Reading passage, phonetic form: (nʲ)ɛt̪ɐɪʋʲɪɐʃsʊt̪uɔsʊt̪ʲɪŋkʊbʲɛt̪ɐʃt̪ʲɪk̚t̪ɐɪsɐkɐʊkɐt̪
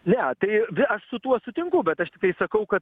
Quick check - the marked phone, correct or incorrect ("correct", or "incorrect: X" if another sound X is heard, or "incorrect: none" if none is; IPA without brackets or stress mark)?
correct